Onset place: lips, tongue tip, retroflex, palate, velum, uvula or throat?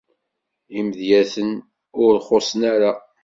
lips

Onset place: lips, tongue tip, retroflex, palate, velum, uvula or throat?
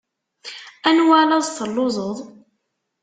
tongue tip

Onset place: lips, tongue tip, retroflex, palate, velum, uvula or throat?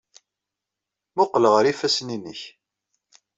lips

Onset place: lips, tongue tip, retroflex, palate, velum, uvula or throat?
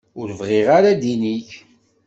tongue tip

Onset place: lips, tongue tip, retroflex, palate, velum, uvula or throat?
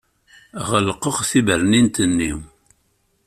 uvula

